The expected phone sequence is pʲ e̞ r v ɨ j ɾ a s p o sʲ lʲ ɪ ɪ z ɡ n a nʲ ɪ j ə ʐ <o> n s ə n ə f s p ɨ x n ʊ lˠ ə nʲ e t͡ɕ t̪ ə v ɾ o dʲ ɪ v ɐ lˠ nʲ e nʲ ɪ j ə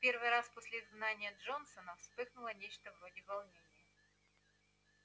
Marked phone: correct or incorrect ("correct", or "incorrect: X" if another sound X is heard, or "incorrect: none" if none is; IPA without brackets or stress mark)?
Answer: correct